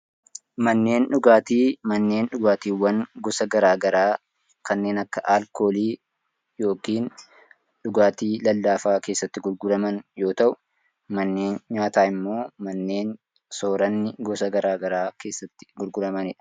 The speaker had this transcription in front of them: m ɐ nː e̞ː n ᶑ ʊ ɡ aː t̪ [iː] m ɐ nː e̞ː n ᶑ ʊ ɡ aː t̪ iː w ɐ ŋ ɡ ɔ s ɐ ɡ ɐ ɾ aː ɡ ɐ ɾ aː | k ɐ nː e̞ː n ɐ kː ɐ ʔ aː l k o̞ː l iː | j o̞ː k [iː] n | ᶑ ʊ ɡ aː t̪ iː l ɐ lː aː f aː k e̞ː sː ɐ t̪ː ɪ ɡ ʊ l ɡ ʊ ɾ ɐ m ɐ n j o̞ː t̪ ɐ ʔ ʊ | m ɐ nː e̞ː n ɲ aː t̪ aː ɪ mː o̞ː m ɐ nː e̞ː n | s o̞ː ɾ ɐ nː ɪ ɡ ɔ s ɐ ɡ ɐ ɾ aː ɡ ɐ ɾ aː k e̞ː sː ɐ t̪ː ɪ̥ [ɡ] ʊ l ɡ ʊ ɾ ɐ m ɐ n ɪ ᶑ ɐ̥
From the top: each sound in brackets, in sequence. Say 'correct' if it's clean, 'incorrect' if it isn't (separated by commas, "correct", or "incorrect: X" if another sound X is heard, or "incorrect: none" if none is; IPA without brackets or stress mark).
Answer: correct, correct, correct